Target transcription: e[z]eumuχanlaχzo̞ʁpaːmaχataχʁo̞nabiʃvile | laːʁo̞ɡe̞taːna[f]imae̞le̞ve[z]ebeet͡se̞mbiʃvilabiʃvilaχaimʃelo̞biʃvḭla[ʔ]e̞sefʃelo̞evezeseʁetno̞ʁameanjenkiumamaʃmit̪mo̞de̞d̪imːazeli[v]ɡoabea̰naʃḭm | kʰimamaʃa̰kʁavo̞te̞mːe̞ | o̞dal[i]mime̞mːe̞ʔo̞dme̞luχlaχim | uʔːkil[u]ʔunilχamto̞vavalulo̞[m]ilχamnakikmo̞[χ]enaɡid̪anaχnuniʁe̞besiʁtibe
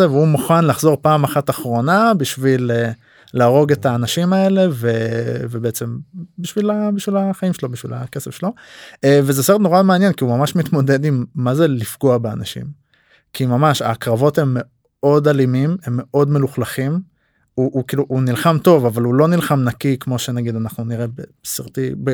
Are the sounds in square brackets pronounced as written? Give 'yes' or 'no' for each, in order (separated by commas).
no, no, no, no, no, yes, yes, no, no